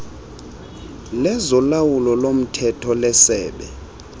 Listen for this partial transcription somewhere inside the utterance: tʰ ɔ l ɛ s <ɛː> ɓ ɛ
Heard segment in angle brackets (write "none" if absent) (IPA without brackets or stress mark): ɛː